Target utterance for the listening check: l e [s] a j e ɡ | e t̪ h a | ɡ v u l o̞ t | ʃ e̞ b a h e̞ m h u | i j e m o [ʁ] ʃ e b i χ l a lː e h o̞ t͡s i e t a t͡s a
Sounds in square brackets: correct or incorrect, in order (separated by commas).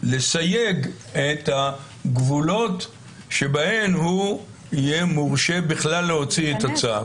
correct, correct